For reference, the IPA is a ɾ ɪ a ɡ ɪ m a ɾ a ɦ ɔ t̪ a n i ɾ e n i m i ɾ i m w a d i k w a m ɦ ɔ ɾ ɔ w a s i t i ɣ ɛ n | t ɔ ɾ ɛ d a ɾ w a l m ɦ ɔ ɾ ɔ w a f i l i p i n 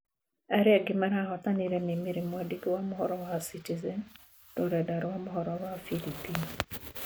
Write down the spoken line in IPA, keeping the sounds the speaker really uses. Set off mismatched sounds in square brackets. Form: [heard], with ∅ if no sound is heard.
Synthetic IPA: a ɾ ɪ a ɡ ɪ m a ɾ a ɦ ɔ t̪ a n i ɾ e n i m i ɾ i m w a d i k w a m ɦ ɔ ɾ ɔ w a s i t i [z] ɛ n | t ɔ ɾ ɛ d a ɾ w a [∅] m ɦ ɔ ɾ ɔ w a f i l i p i n